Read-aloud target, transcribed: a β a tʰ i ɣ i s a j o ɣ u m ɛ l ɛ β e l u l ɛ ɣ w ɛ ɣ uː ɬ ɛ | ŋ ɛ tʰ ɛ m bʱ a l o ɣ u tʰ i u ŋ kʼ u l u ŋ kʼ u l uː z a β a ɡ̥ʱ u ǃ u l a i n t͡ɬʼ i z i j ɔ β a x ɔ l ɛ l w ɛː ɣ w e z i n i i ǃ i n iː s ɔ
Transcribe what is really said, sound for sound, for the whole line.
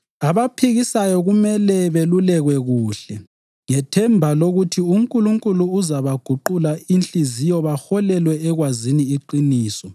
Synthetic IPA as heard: a β a pʰ i ɣ i s a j ɔ ɣ u m ɛ l ɛ β e l u l ɛ ɣ w ɛ ɣ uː ɬ ɛ | ŋ ɛ tʰ ɛ m bʱ a l o ɣ u tʰ i u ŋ kʼ u l u ŋ kʼ u l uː z a β a ɡ̥ʱ u ǃ u l a i n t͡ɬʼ i z i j ɔ β a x ɔ l ɛ l w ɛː ɣ w a z i n i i ǃ i n iː s ɔ